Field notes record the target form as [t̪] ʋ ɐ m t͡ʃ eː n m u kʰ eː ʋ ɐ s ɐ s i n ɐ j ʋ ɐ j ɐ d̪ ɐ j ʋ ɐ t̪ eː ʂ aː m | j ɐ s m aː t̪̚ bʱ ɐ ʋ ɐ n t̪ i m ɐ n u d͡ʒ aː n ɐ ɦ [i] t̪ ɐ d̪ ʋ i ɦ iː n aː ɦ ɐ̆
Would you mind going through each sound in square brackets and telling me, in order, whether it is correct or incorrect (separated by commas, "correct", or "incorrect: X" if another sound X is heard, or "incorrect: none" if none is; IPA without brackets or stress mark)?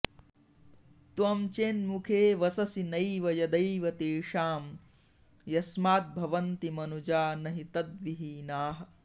correct, correct